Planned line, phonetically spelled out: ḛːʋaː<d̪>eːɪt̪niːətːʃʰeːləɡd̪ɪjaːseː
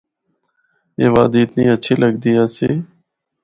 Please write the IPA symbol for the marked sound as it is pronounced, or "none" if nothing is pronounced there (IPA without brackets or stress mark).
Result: d̪